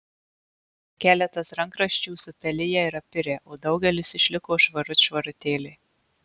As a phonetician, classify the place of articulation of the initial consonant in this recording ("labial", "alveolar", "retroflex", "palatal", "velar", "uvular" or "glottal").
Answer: velar